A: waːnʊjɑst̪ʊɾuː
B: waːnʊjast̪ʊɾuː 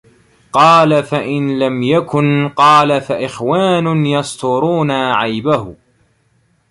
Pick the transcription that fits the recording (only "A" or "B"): A